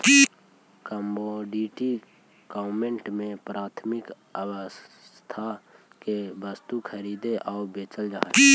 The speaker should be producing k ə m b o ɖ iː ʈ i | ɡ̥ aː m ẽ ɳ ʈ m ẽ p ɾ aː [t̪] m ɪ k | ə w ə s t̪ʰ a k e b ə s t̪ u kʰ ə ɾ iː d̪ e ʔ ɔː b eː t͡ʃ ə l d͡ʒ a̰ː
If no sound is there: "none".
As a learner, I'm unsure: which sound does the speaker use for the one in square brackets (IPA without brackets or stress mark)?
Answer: t̪ʰ